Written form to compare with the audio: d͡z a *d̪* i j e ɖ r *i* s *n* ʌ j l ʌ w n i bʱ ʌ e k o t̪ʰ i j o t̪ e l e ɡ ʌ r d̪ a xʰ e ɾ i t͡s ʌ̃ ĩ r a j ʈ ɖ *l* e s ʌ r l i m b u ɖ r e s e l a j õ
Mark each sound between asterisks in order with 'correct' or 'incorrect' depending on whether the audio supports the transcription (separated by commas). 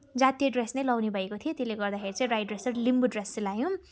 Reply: incorrect, incorrect, correct, incorrect